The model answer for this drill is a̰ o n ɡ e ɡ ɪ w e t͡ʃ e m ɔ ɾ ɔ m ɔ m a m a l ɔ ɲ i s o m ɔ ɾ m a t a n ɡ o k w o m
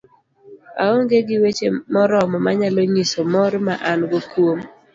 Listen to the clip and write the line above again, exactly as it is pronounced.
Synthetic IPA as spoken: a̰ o ŋ ɡ e ɡ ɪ w e t͡ʃ e m ɔ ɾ ɔ m ɔ m a ɲ a l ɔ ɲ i s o m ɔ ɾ m a ʔ a n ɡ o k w o m